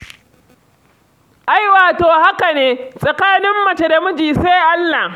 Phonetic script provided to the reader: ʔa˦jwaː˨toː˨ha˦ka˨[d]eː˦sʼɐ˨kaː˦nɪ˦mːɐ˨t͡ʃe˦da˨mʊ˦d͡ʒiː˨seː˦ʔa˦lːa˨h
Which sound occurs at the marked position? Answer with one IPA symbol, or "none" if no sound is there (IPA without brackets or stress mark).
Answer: n